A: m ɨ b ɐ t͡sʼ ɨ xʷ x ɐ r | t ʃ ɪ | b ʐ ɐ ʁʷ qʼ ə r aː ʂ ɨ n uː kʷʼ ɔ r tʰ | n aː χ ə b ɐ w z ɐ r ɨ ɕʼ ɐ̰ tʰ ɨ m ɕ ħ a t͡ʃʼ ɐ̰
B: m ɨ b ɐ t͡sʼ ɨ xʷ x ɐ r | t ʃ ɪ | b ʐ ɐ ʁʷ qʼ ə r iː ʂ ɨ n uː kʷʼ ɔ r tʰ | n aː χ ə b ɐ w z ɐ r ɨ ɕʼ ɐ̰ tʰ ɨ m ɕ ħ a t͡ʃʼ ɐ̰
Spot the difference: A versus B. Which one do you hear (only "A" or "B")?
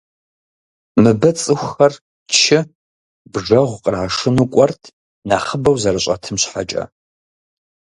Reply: A